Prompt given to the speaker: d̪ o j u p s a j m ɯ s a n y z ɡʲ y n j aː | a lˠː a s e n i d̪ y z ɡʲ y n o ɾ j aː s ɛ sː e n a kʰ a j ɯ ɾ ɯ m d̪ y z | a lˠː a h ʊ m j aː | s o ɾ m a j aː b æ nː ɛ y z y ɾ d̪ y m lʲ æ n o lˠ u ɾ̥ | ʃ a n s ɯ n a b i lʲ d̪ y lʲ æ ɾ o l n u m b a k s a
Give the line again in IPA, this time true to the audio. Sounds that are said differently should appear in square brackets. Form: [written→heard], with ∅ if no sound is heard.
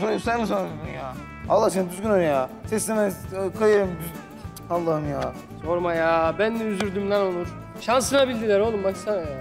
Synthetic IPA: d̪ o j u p s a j m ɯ s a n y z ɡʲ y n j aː | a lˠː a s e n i d̪ y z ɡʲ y n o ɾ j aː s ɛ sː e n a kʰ a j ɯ ɾ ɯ m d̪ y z | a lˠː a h [ʊ→ɯ] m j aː | s o ɾ m a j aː b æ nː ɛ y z y ɾ d̪ y m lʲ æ n o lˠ u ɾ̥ | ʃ a n s ɯ n a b i lʲ d̪ [y→i] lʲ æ ɾ o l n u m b a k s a